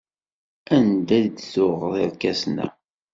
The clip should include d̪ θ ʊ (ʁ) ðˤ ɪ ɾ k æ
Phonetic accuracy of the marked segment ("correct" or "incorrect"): correct